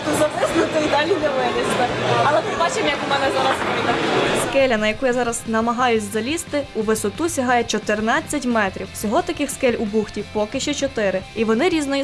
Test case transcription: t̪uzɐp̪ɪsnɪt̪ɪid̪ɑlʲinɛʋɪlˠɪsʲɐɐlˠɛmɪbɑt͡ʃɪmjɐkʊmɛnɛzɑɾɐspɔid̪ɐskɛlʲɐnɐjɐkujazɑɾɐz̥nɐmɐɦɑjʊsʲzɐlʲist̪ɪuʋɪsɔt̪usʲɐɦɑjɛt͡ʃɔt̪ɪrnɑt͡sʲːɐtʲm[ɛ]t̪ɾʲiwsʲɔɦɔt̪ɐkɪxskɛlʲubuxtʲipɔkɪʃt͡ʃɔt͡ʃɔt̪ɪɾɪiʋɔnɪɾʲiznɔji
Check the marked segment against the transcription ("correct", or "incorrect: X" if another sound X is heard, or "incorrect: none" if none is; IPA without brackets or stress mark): correct